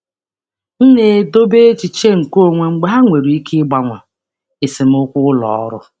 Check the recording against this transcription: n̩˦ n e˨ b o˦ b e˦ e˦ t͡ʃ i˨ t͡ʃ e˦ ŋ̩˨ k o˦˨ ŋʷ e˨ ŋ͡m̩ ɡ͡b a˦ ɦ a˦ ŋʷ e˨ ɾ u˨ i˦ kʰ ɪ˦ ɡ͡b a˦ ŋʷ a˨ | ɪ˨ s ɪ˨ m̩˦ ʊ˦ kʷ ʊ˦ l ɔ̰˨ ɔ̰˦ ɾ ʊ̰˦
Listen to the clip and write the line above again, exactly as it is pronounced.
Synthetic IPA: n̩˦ n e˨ d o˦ b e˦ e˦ t͡ʃ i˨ t͡ʃ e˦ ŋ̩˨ k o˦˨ ŋʷ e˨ ŋ͡m̩ ɡ͡b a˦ ɦ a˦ ŋʷ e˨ ɾ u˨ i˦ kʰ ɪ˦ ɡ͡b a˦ ŋʷ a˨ | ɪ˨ s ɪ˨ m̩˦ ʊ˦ kʷ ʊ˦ l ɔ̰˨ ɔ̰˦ ɾ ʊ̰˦